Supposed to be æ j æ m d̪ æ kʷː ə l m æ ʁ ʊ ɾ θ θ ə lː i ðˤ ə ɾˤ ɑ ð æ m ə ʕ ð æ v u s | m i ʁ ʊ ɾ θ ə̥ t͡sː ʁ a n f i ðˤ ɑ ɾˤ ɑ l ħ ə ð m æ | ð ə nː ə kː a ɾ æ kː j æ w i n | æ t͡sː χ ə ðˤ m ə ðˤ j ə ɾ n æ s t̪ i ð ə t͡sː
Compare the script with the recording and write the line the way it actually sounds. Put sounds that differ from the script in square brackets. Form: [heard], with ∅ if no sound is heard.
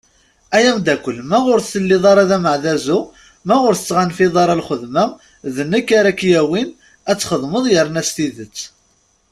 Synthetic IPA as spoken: æ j æ m d̪ æ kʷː ə l m æ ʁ ʊ ɾ θ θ ə lː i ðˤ [ɑ] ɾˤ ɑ ð æ m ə ʕ ð æ [z] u [∅] | m [æ] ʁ ʊ ɾ θ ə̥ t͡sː ʁ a n f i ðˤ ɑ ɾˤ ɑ l [χ] ə ð m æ | ð ə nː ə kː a ɾ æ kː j æ w i n | æ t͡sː χ ə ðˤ m ə ðˤ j ə ɾ n æ s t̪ i ð ə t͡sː